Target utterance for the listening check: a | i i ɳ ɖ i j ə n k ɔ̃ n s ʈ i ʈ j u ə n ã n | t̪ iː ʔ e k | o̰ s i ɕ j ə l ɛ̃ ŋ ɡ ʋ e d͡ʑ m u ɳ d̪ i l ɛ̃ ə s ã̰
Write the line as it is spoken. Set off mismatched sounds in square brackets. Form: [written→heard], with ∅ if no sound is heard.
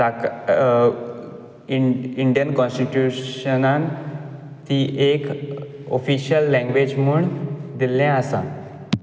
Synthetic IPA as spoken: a | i i ɳ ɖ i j ə n k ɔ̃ n s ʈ i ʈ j u ə n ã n | t̪ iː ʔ e k | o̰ [s→f] i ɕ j ə [l→lː] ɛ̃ ŋ ɡ ʋ e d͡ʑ m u ɳ d̪ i l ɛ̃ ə s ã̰